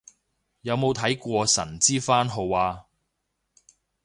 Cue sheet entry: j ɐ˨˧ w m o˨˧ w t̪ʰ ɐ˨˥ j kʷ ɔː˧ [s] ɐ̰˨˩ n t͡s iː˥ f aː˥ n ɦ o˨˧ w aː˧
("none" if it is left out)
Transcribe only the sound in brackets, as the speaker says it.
s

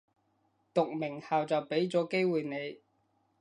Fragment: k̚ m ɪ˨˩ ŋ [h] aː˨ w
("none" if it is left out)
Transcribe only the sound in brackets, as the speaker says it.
h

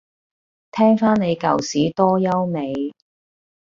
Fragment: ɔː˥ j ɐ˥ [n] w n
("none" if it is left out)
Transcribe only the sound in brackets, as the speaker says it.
none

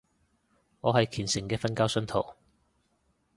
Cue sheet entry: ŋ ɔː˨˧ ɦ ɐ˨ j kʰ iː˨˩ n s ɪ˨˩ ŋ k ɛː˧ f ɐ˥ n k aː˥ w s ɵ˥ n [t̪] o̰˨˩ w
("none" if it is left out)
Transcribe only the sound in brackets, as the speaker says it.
t̪ʰ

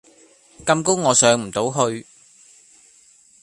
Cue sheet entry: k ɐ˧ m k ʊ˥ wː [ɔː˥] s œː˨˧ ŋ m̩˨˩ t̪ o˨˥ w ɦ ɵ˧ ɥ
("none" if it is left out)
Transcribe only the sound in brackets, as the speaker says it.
ɔː˨˧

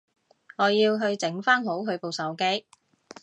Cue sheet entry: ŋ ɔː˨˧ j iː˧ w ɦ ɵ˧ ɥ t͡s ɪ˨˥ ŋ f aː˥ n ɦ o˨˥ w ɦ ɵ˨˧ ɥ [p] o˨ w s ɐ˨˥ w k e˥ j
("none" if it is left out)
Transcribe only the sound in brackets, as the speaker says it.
p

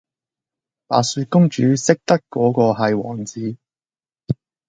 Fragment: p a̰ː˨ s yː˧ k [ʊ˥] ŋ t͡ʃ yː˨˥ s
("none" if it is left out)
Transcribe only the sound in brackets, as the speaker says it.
ʊ˥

